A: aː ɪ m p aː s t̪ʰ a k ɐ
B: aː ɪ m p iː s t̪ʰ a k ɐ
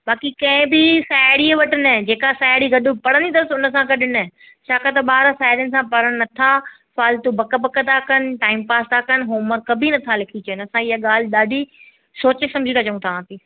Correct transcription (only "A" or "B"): A